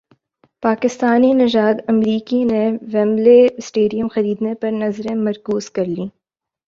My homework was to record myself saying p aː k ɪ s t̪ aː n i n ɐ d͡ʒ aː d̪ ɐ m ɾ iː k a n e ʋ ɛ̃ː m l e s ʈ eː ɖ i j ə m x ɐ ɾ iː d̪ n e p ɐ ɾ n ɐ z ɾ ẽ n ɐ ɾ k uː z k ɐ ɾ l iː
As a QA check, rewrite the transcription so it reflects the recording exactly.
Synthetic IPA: p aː k ɪ s t̪ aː n i n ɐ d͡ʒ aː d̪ ɐ m ɾ iː k i n e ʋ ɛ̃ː m l e s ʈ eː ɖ i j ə m x ɐ ɾ iː d̪ n e p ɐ ɾ n ɐ z ɾ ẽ m ɐ ɾ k uː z k ɐ ɾ l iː